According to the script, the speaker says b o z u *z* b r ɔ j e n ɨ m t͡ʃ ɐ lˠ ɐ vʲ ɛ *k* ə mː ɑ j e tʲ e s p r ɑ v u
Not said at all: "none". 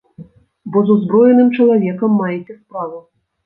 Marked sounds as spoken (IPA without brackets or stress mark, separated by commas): z, k